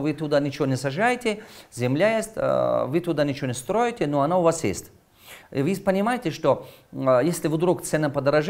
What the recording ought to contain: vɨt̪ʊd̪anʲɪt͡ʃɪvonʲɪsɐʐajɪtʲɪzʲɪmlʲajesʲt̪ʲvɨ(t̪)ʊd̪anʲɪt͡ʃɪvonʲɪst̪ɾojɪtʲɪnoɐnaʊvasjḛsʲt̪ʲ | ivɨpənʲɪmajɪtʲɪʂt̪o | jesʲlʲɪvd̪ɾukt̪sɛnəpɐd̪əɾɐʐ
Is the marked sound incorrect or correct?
correct